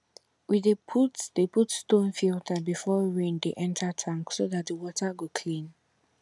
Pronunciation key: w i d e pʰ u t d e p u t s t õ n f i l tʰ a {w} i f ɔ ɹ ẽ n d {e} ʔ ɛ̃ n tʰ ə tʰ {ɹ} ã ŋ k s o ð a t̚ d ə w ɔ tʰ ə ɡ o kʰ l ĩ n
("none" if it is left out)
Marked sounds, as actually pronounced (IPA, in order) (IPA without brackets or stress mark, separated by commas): b, e, ɹ